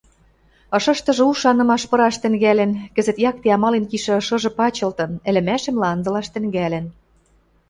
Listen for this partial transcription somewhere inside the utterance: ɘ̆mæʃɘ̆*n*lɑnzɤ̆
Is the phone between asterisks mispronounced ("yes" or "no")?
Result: yes